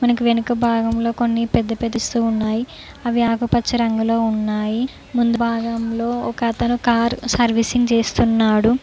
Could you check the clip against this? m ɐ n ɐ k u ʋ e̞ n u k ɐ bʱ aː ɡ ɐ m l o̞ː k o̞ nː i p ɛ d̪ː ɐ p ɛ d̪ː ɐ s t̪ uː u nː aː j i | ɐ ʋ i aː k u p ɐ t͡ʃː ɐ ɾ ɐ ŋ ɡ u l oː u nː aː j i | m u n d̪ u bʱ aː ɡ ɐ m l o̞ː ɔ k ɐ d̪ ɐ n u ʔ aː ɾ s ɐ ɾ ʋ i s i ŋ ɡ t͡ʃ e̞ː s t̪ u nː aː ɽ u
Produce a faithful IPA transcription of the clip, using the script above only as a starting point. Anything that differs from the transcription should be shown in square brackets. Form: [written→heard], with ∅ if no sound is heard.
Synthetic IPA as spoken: m ɐ n ɐ k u ʋ e̞ n u k ɐ bʱ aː ɡ ɐ m l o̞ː k o̞ nː i p ɛ d̪ː ɐ p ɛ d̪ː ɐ s t̪ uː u nː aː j i | ɐ ʋ i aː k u p ɐ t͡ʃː ɐ ɾ ɐ ŋ ɡ u l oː u nː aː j i | m u n d̪ u bʱ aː ɡ ɐ m l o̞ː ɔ k ɐ [d̪→t̪] ɐ n u [ʔ→k] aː ɾ s ɐ ɾ ʋ i s i ŋ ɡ t͡ʃ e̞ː s t̪ u nː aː ɽ u